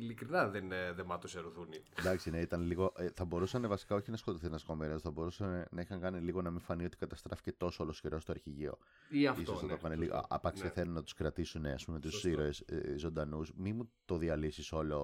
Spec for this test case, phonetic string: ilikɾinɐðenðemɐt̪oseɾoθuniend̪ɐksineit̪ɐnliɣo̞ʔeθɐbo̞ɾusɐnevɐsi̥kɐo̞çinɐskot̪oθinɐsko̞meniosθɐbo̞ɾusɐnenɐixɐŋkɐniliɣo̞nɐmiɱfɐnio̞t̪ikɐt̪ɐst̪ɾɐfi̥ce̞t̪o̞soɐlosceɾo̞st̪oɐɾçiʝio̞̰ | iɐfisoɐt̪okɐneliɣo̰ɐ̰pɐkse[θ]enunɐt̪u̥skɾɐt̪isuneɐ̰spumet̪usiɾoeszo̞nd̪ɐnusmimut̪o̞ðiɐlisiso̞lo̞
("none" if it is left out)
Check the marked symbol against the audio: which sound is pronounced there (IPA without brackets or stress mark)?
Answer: θ